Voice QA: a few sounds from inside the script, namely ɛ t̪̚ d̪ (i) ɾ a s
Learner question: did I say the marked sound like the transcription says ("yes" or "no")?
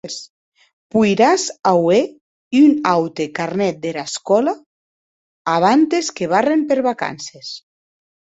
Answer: no